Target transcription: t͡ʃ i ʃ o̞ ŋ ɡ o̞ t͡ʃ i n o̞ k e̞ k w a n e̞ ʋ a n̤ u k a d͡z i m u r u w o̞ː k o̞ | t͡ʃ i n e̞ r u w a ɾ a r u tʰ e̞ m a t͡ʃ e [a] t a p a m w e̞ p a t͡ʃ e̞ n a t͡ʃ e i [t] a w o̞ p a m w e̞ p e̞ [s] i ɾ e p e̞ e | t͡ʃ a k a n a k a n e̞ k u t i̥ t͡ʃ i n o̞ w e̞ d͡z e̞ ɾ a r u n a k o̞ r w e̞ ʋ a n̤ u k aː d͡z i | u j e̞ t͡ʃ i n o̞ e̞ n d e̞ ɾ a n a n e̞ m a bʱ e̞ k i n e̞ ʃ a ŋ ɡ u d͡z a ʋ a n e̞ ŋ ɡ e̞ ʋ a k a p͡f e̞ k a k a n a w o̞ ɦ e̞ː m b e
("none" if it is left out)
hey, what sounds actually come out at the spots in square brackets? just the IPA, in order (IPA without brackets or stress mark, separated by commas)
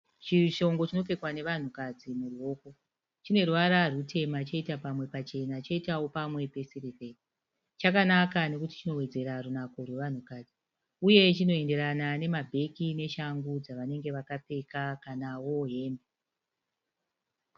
i, t, s